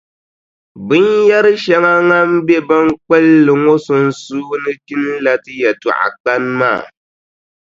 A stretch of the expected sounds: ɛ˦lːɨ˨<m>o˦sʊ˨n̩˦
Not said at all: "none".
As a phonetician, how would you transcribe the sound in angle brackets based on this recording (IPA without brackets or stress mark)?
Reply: ŋ